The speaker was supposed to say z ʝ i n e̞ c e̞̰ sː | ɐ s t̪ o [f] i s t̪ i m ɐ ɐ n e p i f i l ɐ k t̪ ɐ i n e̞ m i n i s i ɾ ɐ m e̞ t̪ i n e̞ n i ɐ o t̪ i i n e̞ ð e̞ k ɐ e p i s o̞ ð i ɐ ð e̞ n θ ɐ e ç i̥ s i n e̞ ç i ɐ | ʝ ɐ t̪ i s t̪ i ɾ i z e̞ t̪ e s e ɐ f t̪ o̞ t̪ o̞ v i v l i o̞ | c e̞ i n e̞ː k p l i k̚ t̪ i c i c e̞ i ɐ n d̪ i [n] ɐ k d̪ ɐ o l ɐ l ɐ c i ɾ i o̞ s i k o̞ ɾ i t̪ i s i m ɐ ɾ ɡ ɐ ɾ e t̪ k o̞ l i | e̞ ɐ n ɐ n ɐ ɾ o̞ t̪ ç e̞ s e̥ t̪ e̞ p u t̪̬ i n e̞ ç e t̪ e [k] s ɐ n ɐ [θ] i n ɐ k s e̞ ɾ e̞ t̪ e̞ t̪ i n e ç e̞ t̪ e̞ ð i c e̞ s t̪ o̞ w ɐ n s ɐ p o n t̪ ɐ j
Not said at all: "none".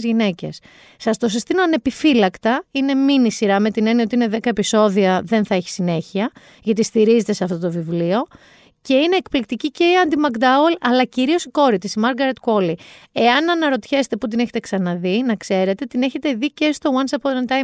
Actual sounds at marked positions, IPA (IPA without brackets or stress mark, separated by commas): s, m, k, ð